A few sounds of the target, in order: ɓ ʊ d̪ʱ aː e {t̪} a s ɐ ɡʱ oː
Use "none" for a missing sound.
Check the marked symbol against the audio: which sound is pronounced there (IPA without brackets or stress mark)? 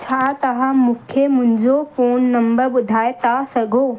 t̪